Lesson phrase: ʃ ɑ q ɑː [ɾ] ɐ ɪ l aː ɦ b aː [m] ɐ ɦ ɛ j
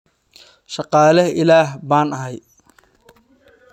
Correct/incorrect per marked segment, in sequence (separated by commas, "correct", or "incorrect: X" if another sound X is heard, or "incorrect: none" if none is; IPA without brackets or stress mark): incorrect: l, incorrect: n